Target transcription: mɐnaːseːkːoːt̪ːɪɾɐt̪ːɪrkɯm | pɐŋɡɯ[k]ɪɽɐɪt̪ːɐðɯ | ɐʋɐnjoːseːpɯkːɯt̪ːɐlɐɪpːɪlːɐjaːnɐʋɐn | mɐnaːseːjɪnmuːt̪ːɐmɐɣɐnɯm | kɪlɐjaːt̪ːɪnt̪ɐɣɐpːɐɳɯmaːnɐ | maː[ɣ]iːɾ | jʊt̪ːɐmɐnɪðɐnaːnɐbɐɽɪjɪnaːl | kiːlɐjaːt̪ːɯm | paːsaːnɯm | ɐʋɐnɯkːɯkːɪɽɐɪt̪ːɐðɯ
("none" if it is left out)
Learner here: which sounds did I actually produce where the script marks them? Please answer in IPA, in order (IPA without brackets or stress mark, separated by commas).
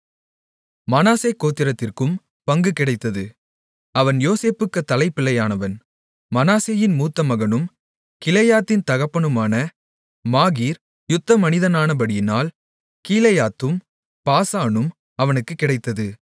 k, ɣ